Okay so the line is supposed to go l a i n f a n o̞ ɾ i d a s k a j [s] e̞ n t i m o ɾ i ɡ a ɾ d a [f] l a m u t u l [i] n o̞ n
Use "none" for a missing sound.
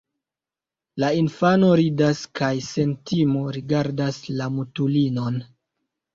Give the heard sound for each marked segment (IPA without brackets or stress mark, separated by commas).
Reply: s, s, i